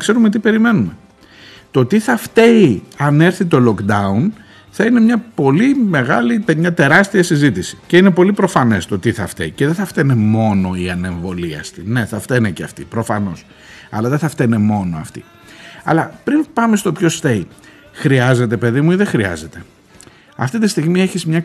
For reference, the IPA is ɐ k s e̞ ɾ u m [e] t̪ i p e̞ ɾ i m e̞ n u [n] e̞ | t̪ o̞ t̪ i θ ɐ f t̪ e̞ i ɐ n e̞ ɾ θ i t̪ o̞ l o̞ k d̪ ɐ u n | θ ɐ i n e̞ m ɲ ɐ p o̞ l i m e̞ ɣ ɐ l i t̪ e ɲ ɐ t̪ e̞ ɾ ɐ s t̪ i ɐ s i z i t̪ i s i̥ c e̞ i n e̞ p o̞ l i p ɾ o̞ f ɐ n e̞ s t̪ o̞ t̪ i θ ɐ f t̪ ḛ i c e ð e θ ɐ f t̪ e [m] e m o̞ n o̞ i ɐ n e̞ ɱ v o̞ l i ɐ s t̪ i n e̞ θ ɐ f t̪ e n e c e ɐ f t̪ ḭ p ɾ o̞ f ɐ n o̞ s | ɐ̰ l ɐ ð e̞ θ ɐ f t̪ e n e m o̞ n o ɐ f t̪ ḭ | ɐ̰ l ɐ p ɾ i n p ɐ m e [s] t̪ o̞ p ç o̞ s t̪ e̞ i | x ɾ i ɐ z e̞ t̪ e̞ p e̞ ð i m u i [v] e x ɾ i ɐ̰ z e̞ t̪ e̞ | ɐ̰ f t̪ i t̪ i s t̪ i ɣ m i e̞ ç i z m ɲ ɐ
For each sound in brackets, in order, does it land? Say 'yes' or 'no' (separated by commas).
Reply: yes, no, no, yes, no